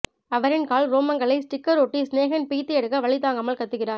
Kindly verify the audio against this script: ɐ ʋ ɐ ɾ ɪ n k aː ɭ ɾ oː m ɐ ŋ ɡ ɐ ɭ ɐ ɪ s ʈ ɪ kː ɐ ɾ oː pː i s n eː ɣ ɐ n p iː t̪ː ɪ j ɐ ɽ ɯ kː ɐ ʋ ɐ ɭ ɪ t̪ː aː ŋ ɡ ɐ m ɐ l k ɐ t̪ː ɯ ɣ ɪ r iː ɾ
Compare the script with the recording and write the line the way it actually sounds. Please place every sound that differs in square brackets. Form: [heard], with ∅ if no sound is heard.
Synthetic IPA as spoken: ɐ ʋ ɐ ɾ ɪ n k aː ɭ ɾ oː m ɐ ŋ ɡ ɐ ɭ ɐ ɪ s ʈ ɪ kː ɐ ɾ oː [ʈː] i s n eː ɣ ɐ n p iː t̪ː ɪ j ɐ ɽ ɯ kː ɐ ʋ ɐ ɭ ɪ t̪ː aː ŋ ɡ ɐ m ɐ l k ɐ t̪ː ɯ ɣ ɪ r [aː] ɾ